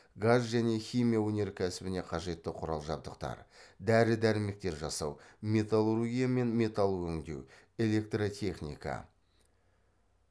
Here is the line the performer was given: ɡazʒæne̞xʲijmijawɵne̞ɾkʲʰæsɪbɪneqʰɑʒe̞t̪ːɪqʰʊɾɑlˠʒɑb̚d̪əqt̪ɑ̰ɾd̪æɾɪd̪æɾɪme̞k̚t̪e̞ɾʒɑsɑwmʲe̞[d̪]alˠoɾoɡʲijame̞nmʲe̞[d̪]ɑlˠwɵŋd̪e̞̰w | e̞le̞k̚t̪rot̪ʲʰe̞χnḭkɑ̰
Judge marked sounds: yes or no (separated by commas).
no, no